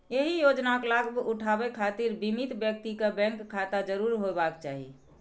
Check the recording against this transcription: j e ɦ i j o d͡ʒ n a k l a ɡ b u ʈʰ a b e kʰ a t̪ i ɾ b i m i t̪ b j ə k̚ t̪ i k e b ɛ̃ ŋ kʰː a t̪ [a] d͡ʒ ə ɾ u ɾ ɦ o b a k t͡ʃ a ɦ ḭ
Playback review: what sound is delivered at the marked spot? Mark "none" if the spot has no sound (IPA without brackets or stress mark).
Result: a